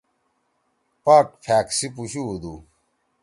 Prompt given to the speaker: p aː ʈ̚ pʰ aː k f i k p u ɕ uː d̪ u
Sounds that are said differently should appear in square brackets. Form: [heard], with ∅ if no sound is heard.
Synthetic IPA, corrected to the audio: p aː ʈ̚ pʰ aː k [s] i [∅] p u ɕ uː d̪ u